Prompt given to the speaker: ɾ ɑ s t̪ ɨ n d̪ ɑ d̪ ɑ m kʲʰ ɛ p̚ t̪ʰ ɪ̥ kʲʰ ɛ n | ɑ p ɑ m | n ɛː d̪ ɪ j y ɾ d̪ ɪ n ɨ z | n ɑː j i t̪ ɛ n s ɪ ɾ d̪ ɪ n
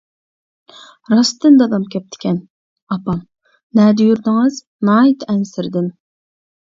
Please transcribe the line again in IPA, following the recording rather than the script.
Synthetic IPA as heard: ɾ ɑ s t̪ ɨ n d̪ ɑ d̪ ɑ m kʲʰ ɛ p̚ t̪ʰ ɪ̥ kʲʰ ɛ n | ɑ p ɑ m | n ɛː d̪ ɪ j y ɾ d̪ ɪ ŋ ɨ z | n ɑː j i t̪ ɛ n s ɪ ɾ d̪ ɪ n

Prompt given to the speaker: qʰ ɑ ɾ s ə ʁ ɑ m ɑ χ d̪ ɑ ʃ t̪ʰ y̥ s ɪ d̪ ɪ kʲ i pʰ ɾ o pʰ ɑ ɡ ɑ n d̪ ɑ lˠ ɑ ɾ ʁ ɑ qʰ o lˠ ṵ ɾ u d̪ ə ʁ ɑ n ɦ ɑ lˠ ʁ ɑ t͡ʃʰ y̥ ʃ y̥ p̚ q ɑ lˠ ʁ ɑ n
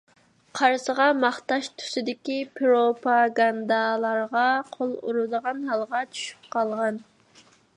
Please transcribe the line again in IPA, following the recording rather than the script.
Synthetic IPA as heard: qʰ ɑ ɾ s ə ʁ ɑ m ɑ χ t̪ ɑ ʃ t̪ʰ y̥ s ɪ d̪ ɪ kʲ i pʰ ɾ o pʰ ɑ ɡ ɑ n d̪ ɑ lˠ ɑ ɾ ʁ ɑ qʰ o lˠ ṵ ɾ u d̪ ə ʁ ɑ n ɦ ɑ lˠ ʁ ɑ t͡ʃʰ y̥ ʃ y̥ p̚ q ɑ lˠ ʁ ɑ n

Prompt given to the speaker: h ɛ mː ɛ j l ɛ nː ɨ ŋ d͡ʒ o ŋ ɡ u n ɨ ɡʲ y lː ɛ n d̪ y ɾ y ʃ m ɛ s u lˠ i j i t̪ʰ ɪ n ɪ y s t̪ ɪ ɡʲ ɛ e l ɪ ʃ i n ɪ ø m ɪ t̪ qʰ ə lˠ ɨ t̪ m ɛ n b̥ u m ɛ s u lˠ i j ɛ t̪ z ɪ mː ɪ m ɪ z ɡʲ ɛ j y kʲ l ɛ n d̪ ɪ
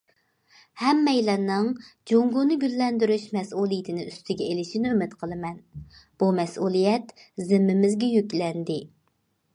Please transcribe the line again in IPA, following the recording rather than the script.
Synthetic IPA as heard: h ɛ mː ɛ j l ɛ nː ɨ ŋ d͡ʒ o ŋ ɡ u n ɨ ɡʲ y lː ɛ n d̪ y ɾ y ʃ m ɛ s u lˠ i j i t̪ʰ ɪ n ɪ y s t̪ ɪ ɡʲ ɛ e l ɪ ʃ i n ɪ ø m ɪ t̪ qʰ ə lˠ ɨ m ɛ n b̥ u m ɛ s u lˠ i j ɛ t̪ z ɪ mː ɪ m ɪ z ɡʲ ɛ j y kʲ l ɛ n d̪ ɪ

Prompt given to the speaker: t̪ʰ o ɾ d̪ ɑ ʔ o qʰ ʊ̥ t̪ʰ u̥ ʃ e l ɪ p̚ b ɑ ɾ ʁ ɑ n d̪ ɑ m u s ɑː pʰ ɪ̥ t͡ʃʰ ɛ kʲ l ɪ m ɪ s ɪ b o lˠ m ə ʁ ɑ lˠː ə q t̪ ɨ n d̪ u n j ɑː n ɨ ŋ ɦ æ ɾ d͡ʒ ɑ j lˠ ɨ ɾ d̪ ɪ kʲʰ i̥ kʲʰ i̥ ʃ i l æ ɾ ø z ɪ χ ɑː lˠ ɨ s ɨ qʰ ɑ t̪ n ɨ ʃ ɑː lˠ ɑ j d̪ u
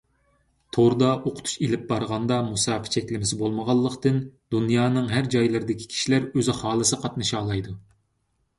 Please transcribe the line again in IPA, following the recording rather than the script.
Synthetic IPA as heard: t̪ʰ o ɾ d̪ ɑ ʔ o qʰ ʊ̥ t̪ʰ u̥ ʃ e l ɪ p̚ b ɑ ɾ ʁ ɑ n d̪ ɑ m u s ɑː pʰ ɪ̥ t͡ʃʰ ɛ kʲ l ɪ m ɪ s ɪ b o lˠ m ə ʁ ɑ lˠː ə q t̪ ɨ n d̪ u n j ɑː n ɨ ŋ ɦ æ ɾ d͡ʒ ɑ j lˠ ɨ ɾ d̪ ɪ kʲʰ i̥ kʲʰ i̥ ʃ i l æ ɾ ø z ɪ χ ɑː lˠ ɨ s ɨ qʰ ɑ t̪ n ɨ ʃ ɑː lˠ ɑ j d̪ u

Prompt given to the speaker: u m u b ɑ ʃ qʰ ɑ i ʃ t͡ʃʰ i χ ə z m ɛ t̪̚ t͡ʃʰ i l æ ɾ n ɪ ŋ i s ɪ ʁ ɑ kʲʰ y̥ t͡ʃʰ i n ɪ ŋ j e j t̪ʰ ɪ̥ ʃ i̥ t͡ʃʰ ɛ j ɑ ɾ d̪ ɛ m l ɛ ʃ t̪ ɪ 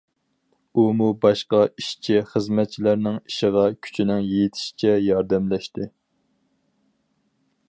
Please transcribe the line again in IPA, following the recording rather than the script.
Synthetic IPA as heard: u m u b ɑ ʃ q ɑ i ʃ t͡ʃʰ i χ ə z m ɛ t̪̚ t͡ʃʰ i l æ ɾ n ɪ ŋ i ʃ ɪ ʁ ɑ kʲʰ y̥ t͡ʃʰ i n ɪ ŋ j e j t̪ʰ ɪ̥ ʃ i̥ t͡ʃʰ ɛ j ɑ ɾ d̪ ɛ m l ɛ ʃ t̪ ɪ

